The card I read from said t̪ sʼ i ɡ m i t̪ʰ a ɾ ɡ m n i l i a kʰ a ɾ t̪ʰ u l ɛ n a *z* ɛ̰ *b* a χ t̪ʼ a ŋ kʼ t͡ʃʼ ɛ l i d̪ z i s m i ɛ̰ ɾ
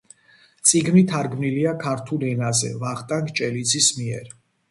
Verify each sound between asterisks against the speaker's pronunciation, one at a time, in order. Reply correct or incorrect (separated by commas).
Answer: correct, incorrect